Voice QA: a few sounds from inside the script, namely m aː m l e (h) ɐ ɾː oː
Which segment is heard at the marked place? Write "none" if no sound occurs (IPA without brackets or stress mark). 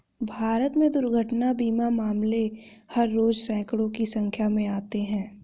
h